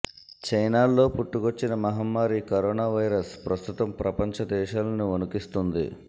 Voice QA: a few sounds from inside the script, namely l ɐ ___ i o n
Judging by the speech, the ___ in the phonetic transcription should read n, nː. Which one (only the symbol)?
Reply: n